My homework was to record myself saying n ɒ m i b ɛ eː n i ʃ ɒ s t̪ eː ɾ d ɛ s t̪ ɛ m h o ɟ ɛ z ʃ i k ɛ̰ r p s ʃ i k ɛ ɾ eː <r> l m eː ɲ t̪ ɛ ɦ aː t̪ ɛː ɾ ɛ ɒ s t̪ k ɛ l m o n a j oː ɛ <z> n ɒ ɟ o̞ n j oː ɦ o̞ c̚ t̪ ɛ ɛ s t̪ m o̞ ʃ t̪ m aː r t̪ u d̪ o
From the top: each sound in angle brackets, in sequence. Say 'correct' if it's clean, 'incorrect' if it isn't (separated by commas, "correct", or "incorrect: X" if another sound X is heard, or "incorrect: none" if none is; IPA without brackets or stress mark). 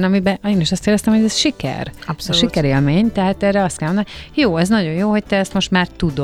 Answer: incorrect: none, correct